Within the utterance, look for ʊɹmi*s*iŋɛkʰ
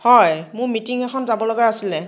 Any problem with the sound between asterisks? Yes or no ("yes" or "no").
yes